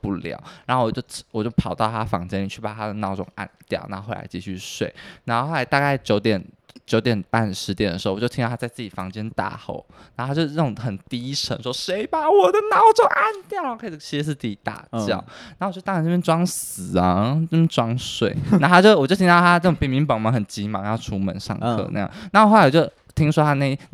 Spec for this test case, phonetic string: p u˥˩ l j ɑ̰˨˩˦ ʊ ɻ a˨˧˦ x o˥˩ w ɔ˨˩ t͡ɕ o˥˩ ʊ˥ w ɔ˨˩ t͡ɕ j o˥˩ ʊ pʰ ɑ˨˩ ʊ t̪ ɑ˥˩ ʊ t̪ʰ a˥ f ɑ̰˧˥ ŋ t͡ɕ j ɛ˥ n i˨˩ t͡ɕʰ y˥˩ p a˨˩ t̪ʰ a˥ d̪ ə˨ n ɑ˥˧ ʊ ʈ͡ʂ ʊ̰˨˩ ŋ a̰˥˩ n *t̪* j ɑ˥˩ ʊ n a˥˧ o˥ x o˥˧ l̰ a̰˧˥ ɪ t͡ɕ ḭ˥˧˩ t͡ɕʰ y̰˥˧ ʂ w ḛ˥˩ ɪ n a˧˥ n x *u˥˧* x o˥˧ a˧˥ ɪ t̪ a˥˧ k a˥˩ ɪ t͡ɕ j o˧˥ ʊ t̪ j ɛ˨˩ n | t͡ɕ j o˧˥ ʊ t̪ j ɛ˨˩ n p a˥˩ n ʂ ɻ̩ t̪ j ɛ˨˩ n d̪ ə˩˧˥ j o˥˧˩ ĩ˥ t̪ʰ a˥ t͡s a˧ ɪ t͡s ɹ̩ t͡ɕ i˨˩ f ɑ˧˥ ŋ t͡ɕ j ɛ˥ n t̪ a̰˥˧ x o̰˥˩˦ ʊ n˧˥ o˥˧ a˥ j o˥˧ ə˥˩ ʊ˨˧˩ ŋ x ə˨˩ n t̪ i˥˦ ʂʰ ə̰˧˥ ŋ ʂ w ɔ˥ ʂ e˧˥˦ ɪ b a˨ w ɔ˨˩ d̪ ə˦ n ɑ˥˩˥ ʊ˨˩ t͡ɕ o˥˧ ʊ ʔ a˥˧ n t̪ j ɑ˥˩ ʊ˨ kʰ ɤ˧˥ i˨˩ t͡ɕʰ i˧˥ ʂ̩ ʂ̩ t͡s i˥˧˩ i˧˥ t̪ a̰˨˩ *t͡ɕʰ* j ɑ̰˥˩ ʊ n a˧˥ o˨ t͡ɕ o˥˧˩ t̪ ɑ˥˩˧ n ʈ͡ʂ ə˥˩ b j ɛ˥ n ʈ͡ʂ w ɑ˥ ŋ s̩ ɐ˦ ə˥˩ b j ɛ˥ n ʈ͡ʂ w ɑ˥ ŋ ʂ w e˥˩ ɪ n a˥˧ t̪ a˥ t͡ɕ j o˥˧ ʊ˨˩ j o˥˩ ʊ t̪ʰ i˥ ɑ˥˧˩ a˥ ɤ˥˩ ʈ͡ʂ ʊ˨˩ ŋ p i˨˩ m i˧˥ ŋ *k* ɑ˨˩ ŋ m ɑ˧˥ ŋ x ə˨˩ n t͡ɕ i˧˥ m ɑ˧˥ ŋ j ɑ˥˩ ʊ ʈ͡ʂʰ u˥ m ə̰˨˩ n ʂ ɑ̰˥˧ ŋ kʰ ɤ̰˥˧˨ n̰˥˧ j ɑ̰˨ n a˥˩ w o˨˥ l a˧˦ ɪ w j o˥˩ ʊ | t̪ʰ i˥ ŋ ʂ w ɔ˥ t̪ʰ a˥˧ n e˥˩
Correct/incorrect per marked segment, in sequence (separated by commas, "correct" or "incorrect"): correct, incorrect, incorrect, incorrect